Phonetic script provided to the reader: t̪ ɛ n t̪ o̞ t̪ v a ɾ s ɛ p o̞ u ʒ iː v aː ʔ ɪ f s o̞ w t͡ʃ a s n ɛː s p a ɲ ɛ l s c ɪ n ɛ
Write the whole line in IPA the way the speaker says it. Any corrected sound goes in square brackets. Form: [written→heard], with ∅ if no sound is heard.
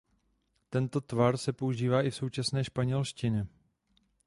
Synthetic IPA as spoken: t̪ ɛ n t̪ o̞ t̪ v a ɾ s ɛ p o̞ u ʒ iː v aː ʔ ɪ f s o̞ w t͡ʃ a s n ɛː [s→ʃ] p a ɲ ɛ l [s→ʃ] c ɪ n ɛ